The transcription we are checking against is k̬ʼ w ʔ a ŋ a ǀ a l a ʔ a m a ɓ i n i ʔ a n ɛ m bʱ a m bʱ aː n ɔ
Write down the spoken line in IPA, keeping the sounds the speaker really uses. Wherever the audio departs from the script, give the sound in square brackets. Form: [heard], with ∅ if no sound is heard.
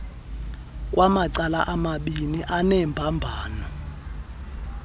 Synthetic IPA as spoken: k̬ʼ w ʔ a [m] a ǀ a l a ʔ a m a ɓ i n i ʔ a n ɛ m bʱ a m bʱ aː n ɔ